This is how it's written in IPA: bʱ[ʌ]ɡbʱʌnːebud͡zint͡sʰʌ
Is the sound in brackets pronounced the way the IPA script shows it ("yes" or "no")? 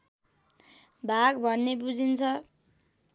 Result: no